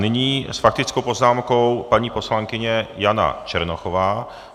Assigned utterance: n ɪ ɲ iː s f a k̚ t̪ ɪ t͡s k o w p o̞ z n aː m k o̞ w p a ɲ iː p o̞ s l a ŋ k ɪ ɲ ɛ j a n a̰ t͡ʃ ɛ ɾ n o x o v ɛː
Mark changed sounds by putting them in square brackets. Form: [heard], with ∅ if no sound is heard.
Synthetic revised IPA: n ɪ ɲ iː s f a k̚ t̪ ɪ t͡s k o w p o̞ z n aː m k o̞ w p a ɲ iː p o̞ s l a ŋ k ɪ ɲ ɛ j a n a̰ t͡ʃ ɛ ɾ n o x o v [aː]